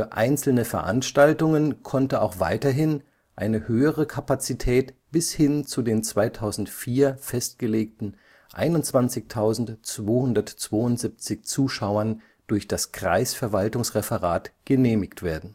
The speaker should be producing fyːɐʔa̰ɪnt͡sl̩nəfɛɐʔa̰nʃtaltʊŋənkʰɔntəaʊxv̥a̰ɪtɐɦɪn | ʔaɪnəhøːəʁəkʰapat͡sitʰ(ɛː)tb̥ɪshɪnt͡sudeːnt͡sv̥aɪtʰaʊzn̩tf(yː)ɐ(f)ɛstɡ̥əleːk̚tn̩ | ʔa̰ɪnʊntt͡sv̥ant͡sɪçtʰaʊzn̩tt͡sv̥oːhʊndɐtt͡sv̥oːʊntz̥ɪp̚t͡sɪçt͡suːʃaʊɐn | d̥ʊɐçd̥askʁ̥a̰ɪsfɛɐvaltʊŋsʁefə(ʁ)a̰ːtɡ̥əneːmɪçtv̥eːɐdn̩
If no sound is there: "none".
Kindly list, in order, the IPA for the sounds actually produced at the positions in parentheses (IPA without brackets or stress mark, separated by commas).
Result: ɛː, iː, f, ʁ